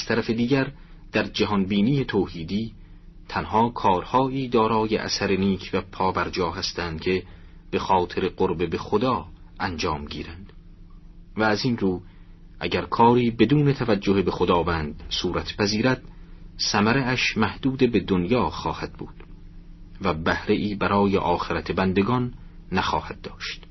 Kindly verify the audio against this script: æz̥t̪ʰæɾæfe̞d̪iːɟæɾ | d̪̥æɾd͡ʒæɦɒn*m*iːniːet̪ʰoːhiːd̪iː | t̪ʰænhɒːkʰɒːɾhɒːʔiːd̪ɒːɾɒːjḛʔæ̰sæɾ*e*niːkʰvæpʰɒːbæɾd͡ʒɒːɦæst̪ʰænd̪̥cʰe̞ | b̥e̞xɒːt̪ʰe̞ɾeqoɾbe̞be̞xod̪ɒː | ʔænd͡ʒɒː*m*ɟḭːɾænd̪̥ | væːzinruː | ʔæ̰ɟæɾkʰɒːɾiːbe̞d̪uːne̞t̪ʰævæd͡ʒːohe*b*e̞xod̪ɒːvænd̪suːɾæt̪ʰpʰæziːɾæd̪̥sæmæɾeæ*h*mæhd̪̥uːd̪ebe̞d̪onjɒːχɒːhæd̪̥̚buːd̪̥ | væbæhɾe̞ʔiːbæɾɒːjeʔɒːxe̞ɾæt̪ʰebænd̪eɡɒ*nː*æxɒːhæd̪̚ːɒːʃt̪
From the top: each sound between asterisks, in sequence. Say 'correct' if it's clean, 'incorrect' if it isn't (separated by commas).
incorrect, correct, correct, correct, incorrect, correct